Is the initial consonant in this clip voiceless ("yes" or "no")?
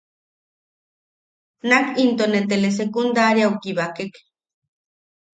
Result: no